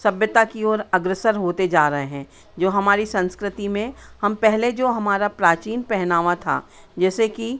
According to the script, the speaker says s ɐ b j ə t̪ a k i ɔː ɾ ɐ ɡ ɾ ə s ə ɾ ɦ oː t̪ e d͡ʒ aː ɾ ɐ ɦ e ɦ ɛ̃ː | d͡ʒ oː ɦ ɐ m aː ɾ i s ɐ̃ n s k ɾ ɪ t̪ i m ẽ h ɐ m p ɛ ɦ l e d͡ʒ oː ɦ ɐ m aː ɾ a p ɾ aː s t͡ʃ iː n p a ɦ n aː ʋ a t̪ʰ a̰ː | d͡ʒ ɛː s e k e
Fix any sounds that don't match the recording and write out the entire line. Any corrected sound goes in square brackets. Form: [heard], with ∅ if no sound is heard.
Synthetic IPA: s ɐ b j ə t̪ a k i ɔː ɾ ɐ ɡ ɾ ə s ə ɾ ɦ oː t̪ e d͡ʒ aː ɾ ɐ ɦ e ɦ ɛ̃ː | d͡ʒ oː ɦ ɐ m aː ɾ i s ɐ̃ n s k ɾ ɪ t̪ i m ẽ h ɐ m p ɛ ɦ l e d͡ʒ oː ɦ ɐ m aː ɾ a p ɾ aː [∅] t͡ʃ iː n p [ɛ] ɦ n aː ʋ a t̪ʰ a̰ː | d͡ʒ ɛː s e k [i]

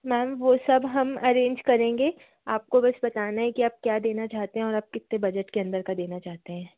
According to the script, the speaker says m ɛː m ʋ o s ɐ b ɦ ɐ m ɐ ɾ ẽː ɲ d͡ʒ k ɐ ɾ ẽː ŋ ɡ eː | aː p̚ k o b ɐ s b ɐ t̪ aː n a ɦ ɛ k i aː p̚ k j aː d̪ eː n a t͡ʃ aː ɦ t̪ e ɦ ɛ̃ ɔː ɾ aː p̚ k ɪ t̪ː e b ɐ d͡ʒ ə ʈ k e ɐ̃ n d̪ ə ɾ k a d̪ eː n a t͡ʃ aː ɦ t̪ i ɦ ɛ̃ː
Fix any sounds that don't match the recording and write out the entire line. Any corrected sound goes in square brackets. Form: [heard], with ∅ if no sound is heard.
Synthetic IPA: m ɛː m ʋ o s ɐ b ɦ ɐ m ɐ ɾ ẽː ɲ d͡ʒ k ɐ ɾ ẽː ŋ ɡ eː | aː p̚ k o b ɐ s b ɐ t̪ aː n a ɦ ɛ k i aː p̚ k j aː d̪ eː n a t͡ʃ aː ɦ t̪ e ɦ ɛ̃ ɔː ɾ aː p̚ k ɪ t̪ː e b ɐ d͡ʒ ə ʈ k e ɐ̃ n d̪ ə ɾ k a d̪ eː n a t͡ʃ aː ɦ t̪ [e] ɦ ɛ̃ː

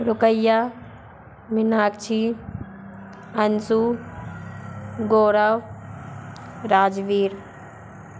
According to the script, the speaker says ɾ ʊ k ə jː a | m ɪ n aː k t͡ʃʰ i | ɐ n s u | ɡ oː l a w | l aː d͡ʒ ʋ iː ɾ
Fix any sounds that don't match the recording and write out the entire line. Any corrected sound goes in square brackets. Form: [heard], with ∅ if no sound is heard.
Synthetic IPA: ɾ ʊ k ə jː a | m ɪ n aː k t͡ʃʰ i | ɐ n s u | ɡ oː [ɾ] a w | [ɾ] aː d͡ʒ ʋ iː ɾ

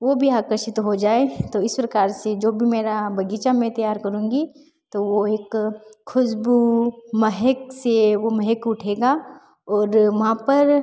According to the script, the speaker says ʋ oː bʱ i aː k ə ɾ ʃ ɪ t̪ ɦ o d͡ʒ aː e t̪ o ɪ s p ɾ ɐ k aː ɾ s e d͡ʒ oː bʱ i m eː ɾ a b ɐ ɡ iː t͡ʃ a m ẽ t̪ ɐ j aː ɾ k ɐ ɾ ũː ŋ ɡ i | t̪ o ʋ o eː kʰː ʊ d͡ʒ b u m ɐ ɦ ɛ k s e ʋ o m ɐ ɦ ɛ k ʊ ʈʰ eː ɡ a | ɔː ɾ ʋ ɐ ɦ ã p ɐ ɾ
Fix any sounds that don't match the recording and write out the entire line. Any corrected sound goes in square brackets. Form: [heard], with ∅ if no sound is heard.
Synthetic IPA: ʋ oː bʱ i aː k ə ɾ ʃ ɪ t̪ ɦ o d͡ʒ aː e t̪ o ɪ s p ɾ ɐ k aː ɾ s e d͡ʒ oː bʱ i m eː ɾ a b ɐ ɡ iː t͡ʃ a m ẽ t̪ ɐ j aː ɾ k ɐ ɾ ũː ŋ ɡ i | t̪ o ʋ o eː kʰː ʊ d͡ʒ b u m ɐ ɦ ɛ k s e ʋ o m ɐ ɦ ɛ k ʊ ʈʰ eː ɡ a | ɔː ɾ ʋ ɐ ɦ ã p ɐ ɾ

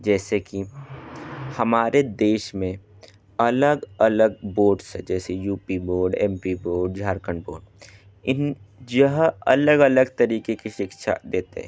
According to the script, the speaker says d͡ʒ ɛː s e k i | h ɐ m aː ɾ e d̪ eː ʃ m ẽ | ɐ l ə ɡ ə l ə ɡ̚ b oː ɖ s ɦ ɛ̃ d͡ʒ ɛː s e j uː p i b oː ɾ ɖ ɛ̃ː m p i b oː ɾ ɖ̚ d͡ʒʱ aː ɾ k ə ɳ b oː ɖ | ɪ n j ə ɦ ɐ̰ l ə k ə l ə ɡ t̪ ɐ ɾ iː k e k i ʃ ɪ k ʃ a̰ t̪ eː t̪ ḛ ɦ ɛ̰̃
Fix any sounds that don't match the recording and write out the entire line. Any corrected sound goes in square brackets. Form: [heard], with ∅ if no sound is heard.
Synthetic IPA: d͡ʒ ɛː s e k i | h ɐ m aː ɾ e d̪ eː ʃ m ẽ | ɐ l ə ɡ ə l ə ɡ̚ b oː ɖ s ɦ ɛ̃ d͡ʒ ɛː s e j uː p i b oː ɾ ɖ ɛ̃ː m p i b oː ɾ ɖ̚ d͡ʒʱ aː ɾ k ə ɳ b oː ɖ | ɪ n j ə ɦ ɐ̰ l ə [ɡ] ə l ə ɡ t̪ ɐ ɾ iː k e k i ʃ ɪ k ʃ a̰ [d̪] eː t̪ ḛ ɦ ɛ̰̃

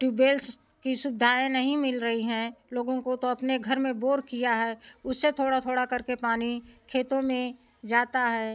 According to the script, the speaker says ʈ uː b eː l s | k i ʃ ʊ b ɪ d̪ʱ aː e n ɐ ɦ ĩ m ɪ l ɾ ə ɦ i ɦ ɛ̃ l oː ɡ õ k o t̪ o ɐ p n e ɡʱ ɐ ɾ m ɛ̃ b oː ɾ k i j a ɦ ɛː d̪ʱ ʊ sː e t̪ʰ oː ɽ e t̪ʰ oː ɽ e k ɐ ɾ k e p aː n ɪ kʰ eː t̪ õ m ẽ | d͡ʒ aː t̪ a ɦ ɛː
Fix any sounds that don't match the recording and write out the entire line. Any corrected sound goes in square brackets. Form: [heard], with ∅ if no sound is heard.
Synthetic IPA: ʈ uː b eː l s | k i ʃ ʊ b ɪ d̪ʱ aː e n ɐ ɦ ĩ m ɪ l ɾ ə ɦ i ɦ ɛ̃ l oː ɡ õ k o t̪ o ɐ p n e ɡʱ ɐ ɾ m [ẽ] b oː ɾ k i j a ɦ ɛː [∅] ʊ sː e t̪ʰ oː ɽ [a] t̪ʰ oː ɽ [a] k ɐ ɾ k e p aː n [i] kʰ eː t̪ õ m ẽ | d͡ʒ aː t̪ a ɦ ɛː

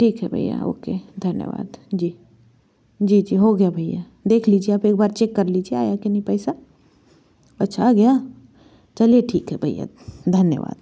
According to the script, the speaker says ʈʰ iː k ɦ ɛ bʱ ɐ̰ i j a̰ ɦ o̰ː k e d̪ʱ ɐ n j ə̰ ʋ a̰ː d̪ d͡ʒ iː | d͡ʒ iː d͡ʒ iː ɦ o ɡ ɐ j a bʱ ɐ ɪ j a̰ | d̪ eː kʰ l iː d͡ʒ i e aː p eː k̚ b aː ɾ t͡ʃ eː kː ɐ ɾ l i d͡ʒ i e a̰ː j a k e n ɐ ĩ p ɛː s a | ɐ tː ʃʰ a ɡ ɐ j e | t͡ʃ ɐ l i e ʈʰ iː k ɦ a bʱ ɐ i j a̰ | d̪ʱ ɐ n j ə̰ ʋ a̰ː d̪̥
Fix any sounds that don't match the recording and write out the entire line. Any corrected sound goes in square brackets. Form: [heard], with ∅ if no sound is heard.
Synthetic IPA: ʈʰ iː k ɦ ɛ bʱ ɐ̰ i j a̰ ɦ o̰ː k e d̪ʱ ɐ n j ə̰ ʋ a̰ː d̪ d͡ʒ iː | d͡ʒ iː d͡ʒ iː ɦ o ɡ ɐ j a bʱ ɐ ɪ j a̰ | d̪ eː kʰ l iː d͡ʒ i e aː p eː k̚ b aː ɾ t͡ʃ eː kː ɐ ɾ l i d͡ʒ i e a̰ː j a k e n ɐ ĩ p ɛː s a | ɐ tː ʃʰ a ɡ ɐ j [a] | t͡ʃ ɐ l i e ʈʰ iː k ɦ [ɛ] bʱ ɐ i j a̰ | d̪ʱ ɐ n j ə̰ ʋ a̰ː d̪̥

